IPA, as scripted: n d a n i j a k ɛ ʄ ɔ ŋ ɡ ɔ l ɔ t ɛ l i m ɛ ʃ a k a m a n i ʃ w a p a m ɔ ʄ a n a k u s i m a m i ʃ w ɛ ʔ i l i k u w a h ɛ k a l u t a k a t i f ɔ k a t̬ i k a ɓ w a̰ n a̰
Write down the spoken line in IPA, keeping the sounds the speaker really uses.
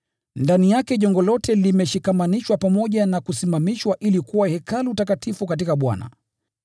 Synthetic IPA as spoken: n d a n i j a k ɛ ʄ ɔ ŋ ɡ ɔ l ɔ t ɛ l i m ɛ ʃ i k a m a n i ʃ w a p a m ɔ ʄ a n a k u s i m a m i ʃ w a ʔ i l i k u w a h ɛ k a l u t a k a t i f u k a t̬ i k a ɓ w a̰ n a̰

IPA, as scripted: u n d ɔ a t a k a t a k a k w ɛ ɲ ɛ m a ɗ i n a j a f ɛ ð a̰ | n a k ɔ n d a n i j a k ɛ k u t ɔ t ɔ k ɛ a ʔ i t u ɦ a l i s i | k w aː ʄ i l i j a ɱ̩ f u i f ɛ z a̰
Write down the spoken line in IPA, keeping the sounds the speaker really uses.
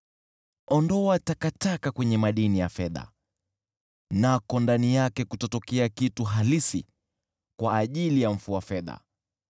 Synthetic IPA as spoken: ɔ n d ɔ a t a k a t a k a k w ɛ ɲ ɛ m a ɗ i n i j a f ɛ ð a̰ | n a k ɔ n d a n i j a k ɛ k u t ɔ t ɔ k ɛ a k i t u ɦ a l i s i | k w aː ʄ i l i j a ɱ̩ f u a f ɛ ð a̰

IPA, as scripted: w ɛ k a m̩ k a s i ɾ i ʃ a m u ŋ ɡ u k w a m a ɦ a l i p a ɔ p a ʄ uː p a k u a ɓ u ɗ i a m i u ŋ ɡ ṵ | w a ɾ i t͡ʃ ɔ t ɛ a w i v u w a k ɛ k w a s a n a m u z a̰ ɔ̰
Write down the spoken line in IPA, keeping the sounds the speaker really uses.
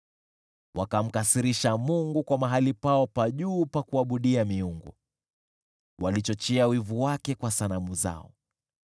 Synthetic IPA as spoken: w a k a m̩ k a s i ɾ i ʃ a m u ŋ ɡ u k w a m a ɦ a l i p a ɔ p a ʄ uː p a k u a ɓ u ɗ i a m i u ŋ ɡ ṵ | w a l i t͡ʃ ɔ t͡ʃ ɛ a w i v u w a k ɛ k w a s a n a m u z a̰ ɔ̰

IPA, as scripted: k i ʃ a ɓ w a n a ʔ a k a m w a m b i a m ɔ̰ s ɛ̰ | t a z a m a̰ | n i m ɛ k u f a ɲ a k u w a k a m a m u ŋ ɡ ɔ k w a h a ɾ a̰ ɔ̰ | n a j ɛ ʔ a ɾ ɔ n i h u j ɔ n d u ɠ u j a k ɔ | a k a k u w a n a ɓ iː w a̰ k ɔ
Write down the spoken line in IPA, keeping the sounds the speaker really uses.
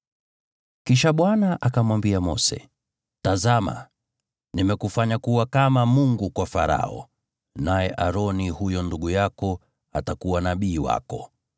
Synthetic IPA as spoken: k i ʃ a ɓ w a n a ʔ a k a m w a m b i a m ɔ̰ s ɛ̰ | t a z a m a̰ | n i m ɛ k u f a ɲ a k u w a k a m a m u ŋ ɡ u k w a f a ɾ a̰ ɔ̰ | n a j ɛ ʔ a ɾ ɔ n i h u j ɔ n d u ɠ u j a k ɔ | a t a k u w a n a ɓ iː w a̰ k ɔ

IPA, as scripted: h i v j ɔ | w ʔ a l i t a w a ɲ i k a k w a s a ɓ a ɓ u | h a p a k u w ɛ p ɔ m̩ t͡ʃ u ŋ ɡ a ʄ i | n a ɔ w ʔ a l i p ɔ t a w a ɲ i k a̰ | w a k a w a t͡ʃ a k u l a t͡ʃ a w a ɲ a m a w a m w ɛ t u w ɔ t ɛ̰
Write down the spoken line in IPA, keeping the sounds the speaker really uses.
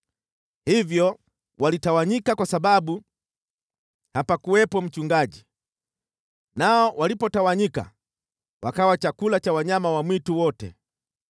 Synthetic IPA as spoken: h i v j ɔ | w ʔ a l i t a w a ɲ i k a k w a s a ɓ a ɓ u | h a p a k u w ɛ p ɔ m̩ t͡ʃ u ŋ ɡ a ʄ i | n a ɔ w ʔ a l i p ɔ t a w a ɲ i k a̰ | w a k a w a t͡ʃ a k u l a t͡ʃ a w a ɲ a m a w a m w i t u w ɔ t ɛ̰

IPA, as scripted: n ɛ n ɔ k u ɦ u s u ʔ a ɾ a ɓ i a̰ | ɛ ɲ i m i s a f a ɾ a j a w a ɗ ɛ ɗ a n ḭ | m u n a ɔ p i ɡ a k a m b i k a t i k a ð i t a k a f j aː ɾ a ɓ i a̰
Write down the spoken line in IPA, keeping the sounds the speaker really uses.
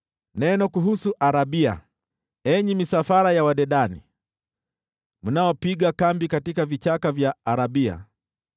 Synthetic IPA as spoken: n ɛ n ɔ k u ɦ u s u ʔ a ɾ a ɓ i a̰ | ɛ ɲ i m i s a f a ɾ a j a w a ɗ ɛ ɗ a n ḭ | m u n a ɔ p i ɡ a k a m b i k a t i k a v i t͡ʃ a k a v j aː ɾ a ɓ i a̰

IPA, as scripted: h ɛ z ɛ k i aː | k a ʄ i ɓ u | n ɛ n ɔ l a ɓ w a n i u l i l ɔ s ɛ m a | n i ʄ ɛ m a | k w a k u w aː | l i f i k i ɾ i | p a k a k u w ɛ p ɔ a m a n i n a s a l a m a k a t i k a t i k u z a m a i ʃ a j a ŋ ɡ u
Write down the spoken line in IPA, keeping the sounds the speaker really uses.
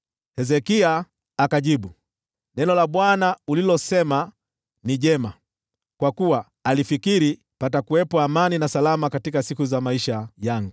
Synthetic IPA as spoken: h ɛ z ɛ k i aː | k a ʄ i ɓ u | n ɛ n ɔ l a ɓ w a n a u l i l ɔ s ɛ m a | n i ʄ ɛ m a | k w a k u w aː | l i f i k i ɾ i | p a t a k u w ɛ p ɔ a m a n i n a s a l a m a k a t i k a s i k u z a m a i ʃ a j a ŋ ɡ u

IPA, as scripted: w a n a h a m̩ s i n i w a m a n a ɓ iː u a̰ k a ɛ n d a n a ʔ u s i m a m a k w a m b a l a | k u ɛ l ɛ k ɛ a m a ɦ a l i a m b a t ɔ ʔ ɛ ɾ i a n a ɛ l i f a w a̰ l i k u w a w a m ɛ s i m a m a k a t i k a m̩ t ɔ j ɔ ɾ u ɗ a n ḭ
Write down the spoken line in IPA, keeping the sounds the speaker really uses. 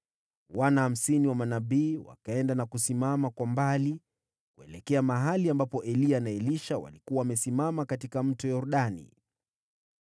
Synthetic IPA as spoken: w a n a h a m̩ s i n i w a m a n a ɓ iː w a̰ k a ɛ n d a n a k u s i m a m a k w a m b a l i | k u ɛ l ɛ k ɛ a m a ɦ a l i a m b a p ɔ ʔ ɛ l i a n a ɛ l i ʃ a w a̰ l i k u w a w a m ɛ s i m a m a k a t i k a m̩ t ɔ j ɔ ɾ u ɗ a n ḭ

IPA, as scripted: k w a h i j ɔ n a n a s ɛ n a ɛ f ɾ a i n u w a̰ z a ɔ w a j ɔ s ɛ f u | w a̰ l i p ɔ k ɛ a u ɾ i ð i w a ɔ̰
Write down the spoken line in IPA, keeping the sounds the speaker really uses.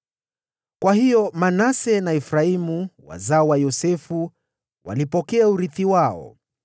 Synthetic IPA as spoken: k w a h i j ɔ m a n a s ɛ n a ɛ f ɾ a i m u w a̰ z a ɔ w a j ɔ s ɛ f u | w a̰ l i p ɔ k ɛ a u ɾ i θ i w a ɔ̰

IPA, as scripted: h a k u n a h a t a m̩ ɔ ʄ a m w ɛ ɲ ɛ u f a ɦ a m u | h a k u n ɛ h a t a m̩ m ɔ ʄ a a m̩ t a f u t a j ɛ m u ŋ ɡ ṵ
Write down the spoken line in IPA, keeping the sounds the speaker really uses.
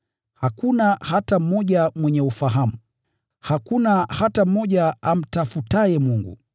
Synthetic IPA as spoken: h a k u n a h a t a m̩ ɔ ʄ a m w ɛ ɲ ɛ u f a ɦ a m u | h a k u n a h a t a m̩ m ɔ ʄ a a m̩ t a f u t a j ɛ m u ŋ ɡ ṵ

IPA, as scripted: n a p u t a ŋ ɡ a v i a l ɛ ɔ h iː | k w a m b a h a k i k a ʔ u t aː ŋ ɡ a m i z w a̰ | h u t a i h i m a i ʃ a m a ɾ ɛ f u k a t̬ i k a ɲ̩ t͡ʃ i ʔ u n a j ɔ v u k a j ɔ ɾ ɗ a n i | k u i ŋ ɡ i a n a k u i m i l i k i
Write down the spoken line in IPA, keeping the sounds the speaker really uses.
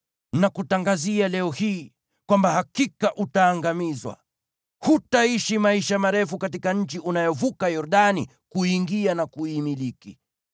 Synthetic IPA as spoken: n a k u t a ŋ ɡ a z i a l ɛ ɔ h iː | k w a m b a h a k i k a ʔ u t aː ŋ ɡ a m i z w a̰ | h u t a i ʃ i m a i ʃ a m a ɾ ɛ f u k a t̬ i k a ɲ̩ t͡ʃ i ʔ u n a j ɔ v u k a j ɔ ɾ ɗ a n i | k u i ŋ ɡ i a n a k u i m i l i k i

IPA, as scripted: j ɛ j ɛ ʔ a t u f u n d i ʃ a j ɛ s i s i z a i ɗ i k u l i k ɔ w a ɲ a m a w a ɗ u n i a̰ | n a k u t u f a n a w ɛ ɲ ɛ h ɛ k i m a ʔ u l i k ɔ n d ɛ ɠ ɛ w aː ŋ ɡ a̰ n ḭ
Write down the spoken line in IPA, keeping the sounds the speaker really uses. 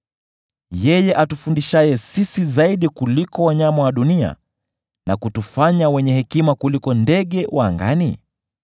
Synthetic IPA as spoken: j ɛ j ɛ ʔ a t u f u n d i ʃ a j ɛ s i s i z a i ɗ i k u l i k ɔ w a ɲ a m a w a ɗ u n i a̰ | n a k u t u f a ɲ a w ɛ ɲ ɛ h ɛ k i m a k u l i k ɔ n d ɛ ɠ ɛ w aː ŋ ɡ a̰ n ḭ

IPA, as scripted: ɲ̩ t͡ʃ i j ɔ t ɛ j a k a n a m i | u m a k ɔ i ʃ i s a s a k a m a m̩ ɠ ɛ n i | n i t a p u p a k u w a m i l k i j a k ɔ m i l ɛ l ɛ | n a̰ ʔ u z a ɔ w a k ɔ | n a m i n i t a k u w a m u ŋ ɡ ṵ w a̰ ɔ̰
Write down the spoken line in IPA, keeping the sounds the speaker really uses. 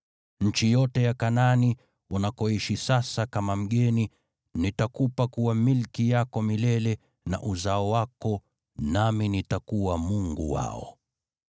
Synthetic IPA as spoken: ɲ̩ t͡ʃ i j ɔ t ɛ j a k a n a n i | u n a k ɔ i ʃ i s a s a k a m a m̩ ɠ ɛ n i | n i t a k u p a k u w a m i l k i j a k ɔ m i l ɛ l ɛ | n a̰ ʔ u z a ɔ w a k ɔ | n a m i n i t a k u w a m u ŋ ɡ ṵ w a̰ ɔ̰

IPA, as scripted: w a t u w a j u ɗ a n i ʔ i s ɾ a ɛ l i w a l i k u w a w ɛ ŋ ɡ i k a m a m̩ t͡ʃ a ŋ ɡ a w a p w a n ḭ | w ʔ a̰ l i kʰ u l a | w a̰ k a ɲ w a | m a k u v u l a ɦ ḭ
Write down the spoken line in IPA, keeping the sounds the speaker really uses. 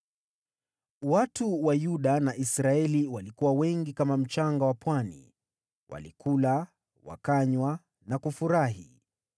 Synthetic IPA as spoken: w a t u w a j u ɗ a n a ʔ i s ɾ a ɛ l i w a l i k u w a w ɛ ŋ ɡ i k a m a m̩ t͡ʃ a ŋ ɡ a w a p w a n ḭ | w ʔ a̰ l i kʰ u l a | w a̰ k a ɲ w a | n a k u f u ɾ a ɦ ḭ

